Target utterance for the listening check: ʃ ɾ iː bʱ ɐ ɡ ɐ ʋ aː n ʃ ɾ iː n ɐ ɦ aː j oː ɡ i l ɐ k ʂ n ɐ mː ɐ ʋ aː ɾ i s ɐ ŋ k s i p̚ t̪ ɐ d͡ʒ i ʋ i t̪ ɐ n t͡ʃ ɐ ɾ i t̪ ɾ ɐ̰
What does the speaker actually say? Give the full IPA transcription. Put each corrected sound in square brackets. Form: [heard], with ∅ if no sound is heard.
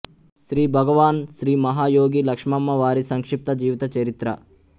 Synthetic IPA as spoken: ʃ ɾ iː bʱ ɐ ɡ ɐ ʋ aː n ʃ ɾ iː [m] ɐ ɦ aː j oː ɡ i l ɐ k ʂ [m] ɐ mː ɐ ʋ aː ɾ i s ɐ ŋ k [ʂ] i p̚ t̪ ɐ d͡ʒ [iː] ʋ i t̪ ɐ [∅] t͡ʃ ɐ ɾ i t̪ ɾ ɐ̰